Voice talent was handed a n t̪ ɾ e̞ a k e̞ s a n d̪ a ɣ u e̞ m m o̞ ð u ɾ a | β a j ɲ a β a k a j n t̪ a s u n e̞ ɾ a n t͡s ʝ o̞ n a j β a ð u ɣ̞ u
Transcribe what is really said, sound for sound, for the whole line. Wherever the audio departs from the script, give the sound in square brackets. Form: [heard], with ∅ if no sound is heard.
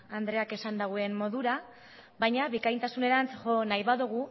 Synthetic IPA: a n [d̪] ɾ e̞ a k e̞ s a n d̪ a ɣ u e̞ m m o̞ ð u ɾ a | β a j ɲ a β [i] k a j n t̪ a s u n e̞ ɾ a n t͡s ʝ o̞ n a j β a ð u ɣ̞ u